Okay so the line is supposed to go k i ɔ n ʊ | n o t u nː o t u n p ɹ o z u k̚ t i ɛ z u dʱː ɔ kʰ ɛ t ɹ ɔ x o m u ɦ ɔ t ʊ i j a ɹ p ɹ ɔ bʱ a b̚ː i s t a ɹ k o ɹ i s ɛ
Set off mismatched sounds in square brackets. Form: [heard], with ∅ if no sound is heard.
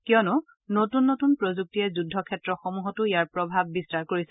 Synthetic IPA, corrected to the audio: k i ɔ n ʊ | n o t u nː o t u n p ɹ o z u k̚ t i ɛ z u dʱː ɔ kʰ ɛ t ɹ ɔ x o m u ɦ ɔ t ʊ i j a ɹ p ɹ ɔ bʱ a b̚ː i s t a ɹ k o ɹ i s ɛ